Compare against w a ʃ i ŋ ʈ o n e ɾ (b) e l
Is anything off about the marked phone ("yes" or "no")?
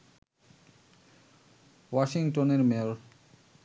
yes